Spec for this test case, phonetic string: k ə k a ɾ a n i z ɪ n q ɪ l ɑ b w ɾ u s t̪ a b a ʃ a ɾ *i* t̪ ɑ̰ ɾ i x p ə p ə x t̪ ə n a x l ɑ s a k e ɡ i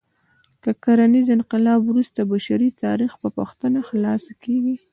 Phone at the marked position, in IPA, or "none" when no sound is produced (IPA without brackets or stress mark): i